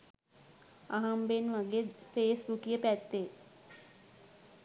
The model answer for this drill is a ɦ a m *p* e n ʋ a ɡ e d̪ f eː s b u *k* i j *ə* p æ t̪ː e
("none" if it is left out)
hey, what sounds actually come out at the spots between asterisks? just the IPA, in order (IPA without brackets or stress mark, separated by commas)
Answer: b, k, ə